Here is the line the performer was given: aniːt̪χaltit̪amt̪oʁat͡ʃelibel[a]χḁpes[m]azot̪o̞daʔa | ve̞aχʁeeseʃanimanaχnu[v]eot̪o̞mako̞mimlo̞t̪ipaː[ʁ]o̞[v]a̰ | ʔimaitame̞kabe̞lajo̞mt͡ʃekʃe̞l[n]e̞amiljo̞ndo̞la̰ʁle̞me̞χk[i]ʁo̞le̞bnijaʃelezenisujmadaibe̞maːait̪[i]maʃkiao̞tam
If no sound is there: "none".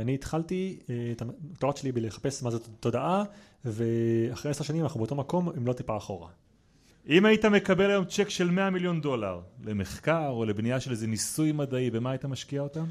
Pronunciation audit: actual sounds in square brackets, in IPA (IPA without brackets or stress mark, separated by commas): e, m, b, χ, ʁ, m, a, a